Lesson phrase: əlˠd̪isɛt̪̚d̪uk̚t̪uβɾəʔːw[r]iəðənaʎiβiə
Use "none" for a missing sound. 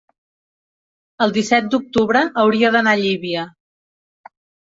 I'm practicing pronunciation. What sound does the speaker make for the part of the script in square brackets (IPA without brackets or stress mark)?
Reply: ɾ